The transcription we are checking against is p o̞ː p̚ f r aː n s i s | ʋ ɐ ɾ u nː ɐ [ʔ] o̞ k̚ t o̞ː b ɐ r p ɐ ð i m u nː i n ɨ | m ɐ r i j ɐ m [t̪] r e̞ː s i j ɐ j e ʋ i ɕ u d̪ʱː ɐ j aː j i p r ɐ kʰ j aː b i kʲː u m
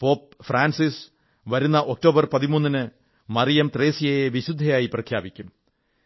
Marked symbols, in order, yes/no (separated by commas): yes, yes